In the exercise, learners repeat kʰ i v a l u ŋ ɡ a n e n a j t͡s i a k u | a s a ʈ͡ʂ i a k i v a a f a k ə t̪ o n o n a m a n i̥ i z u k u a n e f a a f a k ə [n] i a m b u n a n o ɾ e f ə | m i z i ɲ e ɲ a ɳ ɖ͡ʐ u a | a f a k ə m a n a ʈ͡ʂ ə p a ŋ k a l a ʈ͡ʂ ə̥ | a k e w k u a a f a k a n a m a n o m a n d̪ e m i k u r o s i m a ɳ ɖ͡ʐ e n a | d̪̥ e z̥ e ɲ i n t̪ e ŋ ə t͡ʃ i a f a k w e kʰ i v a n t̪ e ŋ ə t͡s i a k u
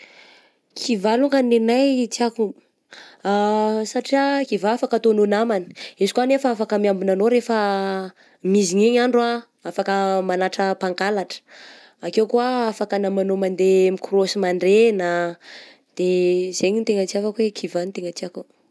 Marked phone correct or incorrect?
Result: incorrect: m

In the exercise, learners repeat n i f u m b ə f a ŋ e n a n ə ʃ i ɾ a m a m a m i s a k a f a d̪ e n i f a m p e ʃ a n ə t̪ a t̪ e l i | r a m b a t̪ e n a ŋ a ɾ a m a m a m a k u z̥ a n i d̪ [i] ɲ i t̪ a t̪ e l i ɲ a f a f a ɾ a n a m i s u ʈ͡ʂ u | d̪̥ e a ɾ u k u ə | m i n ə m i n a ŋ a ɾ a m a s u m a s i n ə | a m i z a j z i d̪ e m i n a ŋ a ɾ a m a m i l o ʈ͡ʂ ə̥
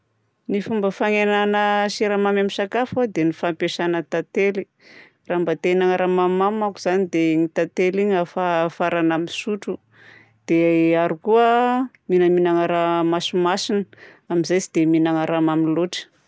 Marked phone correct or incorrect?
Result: incorrect: e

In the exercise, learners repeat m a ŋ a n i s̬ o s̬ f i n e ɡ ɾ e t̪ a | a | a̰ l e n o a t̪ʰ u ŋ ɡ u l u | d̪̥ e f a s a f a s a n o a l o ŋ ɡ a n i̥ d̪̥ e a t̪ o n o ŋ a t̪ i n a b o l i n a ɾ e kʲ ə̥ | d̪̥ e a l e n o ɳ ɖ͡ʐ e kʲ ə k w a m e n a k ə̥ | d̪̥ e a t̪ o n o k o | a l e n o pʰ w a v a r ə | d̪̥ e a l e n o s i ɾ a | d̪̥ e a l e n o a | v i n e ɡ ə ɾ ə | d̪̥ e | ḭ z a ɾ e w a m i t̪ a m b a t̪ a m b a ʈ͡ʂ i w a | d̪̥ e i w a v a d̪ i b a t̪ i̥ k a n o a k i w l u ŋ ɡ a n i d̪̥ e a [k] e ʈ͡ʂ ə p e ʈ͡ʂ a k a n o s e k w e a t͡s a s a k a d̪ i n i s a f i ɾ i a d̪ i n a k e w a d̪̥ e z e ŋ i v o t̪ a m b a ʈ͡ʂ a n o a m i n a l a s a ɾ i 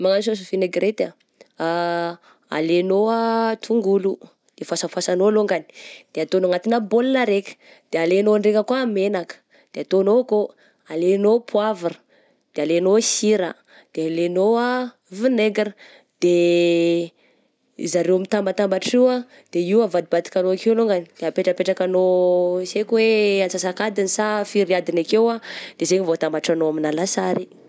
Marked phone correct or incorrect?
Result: incorrect: p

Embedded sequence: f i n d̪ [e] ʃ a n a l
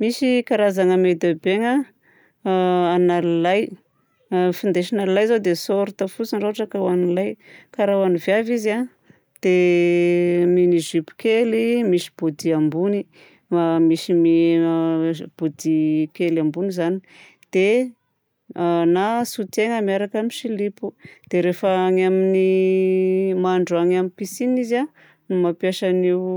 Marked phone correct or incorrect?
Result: correct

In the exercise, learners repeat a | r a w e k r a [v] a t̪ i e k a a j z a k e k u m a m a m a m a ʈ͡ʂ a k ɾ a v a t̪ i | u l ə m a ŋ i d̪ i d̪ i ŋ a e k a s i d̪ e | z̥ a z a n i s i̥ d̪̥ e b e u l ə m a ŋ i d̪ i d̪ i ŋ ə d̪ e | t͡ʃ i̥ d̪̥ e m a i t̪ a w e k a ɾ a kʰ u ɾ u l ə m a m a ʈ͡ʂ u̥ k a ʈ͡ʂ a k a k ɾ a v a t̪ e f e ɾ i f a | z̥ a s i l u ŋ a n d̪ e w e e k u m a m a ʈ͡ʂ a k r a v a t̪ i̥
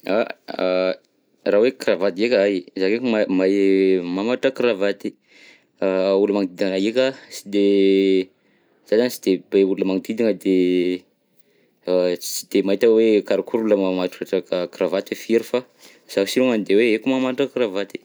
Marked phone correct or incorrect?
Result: correct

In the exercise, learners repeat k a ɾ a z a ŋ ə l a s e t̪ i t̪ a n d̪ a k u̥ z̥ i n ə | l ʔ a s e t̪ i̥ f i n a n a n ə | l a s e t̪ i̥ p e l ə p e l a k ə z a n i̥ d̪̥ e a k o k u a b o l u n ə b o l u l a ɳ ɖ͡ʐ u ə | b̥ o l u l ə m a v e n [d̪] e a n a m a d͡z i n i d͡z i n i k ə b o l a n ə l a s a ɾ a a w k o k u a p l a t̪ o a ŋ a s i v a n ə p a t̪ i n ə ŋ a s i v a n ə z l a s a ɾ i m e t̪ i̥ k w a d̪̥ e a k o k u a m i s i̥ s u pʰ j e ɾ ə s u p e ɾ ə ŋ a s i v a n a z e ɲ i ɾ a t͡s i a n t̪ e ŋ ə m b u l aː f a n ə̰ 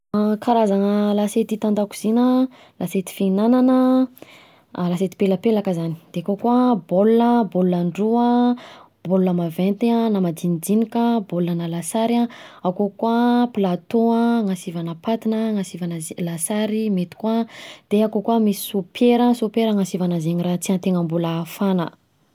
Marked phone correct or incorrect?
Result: incorrect: t̪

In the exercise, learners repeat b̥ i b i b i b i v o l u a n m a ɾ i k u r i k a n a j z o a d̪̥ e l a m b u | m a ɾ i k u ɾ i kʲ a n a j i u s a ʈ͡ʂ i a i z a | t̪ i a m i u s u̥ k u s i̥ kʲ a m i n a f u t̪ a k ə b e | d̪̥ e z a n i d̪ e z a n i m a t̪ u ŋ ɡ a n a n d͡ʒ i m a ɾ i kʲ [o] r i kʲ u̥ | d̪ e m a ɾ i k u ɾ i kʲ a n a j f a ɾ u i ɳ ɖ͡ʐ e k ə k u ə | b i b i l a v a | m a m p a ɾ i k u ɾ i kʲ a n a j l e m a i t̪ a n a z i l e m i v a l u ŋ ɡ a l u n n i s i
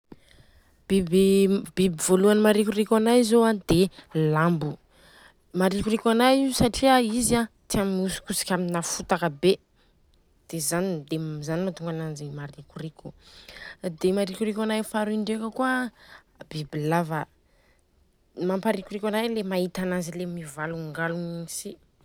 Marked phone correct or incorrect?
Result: incorrect: u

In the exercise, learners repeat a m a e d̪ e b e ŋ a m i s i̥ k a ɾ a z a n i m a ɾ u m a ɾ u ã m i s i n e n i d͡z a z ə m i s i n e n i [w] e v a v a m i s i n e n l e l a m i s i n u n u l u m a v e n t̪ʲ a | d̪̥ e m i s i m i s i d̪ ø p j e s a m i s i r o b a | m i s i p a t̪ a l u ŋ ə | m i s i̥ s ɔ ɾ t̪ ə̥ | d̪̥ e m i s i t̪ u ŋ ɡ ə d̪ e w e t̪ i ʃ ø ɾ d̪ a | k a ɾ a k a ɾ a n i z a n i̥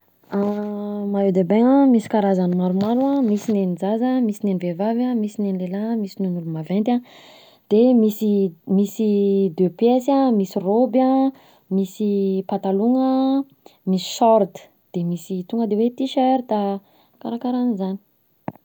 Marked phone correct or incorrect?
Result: incorrect: v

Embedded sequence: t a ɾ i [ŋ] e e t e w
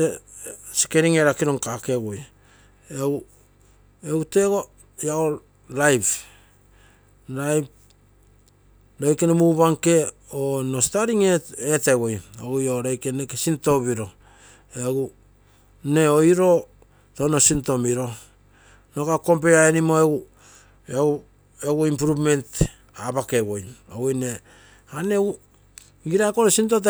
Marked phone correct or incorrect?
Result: correct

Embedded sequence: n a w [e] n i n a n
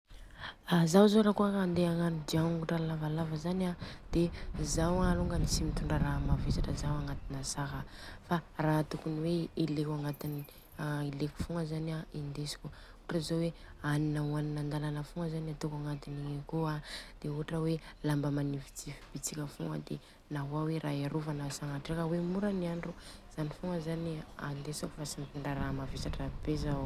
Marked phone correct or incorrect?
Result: incorrect: a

